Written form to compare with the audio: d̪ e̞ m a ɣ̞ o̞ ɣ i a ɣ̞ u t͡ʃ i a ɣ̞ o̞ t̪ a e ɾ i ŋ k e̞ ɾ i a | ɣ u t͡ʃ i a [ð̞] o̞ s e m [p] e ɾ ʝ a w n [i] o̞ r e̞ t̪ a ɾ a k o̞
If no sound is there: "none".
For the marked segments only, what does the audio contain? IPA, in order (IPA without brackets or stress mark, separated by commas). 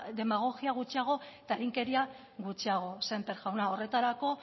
ɣ̞, p, a